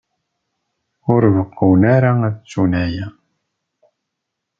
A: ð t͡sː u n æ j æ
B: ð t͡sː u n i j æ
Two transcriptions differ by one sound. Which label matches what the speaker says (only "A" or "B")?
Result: A